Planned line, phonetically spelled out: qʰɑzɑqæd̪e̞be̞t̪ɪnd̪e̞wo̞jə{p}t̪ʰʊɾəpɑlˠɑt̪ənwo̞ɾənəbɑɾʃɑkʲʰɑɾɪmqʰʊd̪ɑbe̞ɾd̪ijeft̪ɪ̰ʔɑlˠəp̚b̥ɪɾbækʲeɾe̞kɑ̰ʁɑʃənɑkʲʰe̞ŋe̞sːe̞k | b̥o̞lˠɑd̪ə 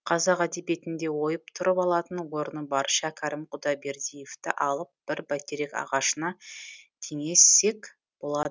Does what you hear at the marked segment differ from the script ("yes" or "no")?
no